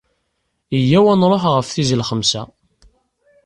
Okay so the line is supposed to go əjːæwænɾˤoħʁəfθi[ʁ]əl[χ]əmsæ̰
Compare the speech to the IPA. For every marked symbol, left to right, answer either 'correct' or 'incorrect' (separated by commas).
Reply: incorrect, correct